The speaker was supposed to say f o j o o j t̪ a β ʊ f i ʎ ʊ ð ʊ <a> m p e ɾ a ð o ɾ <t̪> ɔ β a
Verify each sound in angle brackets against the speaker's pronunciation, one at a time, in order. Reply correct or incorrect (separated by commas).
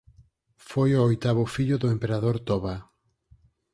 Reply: incorrect, correct